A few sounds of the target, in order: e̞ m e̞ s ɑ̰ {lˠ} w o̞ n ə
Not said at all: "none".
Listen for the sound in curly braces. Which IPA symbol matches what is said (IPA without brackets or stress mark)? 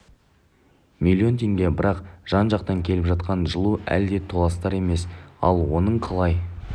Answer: lˠ